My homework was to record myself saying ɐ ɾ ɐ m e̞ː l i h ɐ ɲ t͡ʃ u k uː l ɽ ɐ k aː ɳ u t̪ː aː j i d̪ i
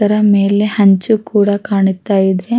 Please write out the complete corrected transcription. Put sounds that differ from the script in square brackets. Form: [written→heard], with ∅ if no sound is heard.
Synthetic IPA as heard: ɐ ɾ ɐ m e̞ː l [i→e] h ɐ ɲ t͡ʃ u k uː [l→∅] ɽ ɐ k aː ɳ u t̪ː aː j i d̪ [i→e]